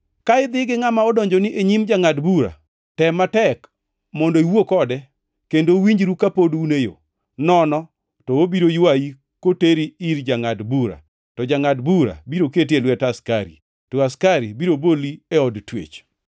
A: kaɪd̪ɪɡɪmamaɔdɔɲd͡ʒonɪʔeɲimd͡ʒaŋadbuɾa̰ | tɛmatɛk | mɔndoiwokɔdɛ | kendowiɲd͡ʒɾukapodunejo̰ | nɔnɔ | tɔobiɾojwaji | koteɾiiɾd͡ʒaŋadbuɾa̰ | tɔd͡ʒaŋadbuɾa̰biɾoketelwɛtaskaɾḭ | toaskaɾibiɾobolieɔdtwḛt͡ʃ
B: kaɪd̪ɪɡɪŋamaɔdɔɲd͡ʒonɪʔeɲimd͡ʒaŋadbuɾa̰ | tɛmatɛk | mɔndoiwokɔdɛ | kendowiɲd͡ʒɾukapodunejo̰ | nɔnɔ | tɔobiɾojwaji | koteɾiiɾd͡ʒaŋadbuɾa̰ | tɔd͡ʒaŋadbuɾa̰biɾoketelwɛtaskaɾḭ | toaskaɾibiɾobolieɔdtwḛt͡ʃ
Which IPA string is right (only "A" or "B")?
B